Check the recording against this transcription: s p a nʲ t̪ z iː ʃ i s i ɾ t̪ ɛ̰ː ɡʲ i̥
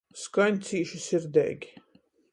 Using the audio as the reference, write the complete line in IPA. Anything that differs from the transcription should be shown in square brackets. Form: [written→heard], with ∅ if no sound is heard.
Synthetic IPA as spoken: s [p→k] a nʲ t̪ [z→s] iː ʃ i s i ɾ [t̪→d̪] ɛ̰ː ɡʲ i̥

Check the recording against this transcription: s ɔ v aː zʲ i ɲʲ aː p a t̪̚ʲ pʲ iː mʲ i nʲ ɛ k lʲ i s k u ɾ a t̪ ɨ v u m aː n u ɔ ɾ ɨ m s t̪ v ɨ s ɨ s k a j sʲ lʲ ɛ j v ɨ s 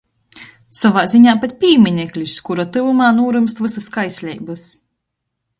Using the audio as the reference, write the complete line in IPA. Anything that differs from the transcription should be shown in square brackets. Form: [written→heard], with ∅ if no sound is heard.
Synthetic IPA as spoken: s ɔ v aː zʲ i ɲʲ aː p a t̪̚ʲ pʲ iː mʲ i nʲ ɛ k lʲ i s k u ɾ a t̪ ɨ v u m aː n u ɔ ɾ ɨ m s t̪ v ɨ s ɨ s k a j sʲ lʲ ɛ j [v→b] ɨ s

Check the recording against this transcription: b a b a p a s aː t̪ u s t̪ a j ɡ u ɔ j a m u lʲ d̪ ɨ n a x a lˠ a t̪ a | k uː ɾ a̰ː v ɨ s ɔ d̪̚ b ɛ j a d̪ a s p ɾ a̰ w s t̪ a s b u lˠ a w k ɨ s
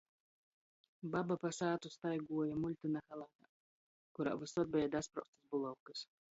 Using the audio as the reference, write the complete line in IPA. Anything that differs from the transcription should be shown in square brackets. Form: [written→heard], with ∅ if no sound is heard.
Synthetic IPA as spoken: b a b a p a s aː t̪ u s t̪ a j ɡ u ɔ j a m u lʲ [d̪→t̪] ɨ n a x a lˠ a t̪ a | k [uː→u] ɾ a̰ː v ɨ s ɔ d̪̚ b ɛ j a d̪ a s p ɾ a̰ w s t̪ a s b u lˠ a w k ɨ s

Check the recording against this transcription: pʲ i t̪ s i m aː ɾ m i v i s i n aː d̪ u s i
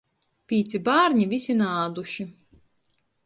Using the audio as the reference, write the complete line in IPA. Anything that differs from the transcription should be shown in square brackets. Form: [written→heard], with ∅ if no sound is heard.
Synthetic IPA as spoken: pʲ [i→iː] t̪ s i [m→b] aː ɾ [m→ɲ] i v i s i n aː d̪ u [s→ʃ] i

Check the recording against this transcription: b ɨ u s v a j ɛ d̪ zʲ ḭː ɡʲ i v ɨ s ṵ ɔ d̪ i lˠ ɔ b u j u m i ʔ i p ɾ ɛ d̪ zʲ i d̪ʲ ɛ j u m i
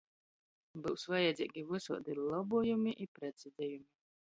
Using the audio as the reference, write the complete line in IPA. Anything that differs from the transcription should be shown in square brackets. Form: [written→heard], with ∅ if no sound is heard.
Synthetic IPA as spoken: b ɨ [u→w] s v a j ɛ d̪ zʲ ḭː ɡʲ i v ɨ s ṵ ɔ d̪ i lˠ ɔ b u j u m i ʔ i p ɾ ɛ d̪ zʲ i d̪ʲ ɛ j u m i

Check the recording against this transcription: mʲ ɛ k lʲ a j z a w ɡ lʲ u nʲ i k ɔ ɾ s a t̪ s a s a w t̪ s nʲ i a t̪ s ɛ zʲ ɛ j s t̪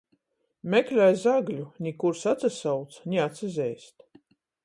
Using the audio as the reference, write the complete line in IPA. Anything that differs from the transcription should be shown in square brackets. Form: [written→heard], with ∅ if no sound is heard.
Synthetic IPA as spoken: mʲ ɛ k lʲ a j z a [w→∅] ɡ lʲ u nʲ i k [ɔ→u] ɾ s a t̪ s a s a w t̪ s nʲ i a t̪ s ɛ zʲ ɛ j s t̪

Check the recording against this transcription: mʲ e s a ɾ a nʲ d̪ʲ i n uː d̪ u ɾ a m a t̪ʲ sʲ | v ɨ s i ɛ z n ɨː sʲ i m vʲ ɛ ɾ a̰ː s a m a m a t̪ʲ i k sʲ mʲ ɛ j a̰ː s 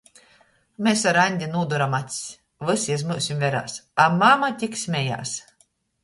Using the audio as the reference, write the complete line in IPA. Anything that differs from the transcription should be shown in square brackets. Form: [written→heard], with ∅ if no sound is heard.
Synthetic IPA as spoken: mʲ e s a ɾ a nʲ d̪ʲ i n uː d̪ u ɾ a m a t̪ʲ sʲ | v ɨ s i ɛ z [n→m] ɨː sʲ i m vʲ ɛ ɾ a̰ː s a m a m a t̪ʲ i k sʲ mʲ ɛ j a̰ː s

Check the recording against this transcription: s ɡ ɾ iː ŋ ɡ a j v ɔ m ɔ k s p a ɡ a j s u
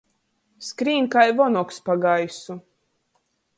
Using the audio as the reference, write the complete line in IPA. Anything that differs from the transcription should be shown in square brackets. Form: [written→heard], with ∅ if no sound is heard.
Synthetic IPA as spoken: s [ɡ→k] ɾ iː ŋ [ɡ→k] a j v ɔ [m→n] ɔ k s p a ɡ a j s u

